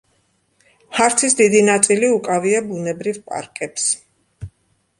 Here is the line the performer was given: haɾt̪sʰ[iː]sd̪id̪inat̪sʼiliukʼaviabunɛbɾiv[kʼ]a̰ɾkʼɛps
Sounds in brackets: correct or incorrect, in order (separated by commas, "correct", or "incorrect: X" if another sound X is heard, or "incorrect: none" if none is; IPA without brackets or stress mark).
incorrect: i, incorrect: pʼ